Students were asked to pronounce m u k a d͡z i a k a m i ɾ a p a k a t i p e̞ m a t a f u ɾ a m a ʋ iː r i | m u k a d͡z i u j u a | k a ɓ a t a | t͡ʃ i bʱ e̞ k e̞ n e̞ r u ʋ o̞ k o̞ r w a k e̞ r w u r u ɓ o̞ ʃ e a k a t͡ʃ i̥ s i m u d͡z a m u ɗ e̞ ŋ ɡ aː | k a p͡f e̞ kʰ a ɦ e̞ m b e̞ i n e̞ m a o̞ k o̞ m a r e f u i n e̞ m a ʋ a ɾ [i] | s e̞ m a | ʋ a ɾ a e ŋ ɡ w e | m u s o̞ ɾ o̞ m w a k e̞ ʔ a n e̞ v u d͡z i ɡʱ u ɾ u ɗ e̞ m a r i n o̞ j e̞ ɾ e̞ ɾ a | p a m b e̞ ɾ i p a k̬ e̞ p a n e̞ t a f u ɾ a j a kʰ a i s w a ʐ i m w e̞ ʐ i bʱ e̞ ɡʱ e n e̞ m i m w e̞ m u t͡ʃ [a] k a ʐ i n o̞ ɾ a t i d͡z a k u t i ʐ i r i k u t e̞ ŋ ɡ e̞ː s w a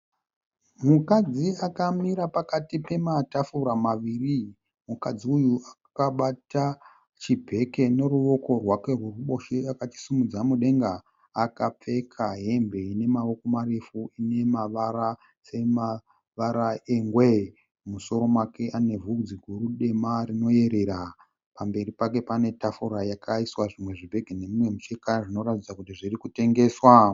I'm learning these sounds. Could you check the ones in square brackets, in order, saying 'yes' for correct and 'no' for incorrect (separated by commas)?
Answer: no, no